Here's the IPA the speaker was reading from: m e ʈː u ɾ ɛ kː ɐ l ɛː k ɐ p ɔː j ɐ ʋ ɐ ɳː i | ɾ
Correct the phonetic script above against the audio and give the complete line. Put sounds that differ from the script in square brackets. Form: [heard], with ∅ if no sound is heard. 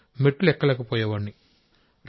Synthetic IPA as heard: m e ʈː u [l] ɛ kː ɐ l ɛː k ɐ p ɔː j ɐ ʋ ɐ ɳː i | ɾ